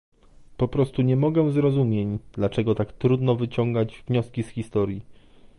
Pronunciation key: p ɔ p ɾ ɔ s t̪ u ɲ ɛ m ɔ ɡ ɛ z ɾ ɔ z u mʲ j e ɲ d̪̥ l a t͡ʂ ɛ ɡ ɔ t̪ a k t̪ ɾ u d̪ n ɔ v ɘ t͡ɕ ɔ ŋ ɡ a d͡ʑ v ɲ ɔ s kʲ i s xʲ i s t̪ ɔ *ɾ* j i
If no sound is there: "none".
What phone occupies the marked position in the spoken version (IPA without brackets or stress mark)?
ɾ